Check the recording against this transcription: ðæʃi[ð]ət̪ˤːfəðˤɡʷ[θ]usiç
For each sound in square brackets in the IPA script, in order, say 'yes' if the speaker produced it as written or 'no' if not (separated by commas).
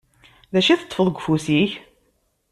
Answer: no, no